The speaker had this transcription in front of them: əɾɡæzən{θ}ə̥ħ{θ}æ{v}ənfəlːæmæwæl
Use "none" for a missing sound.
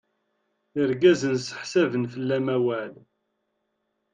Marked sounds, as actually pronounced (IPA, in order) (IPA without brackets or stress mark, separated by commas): s, s, v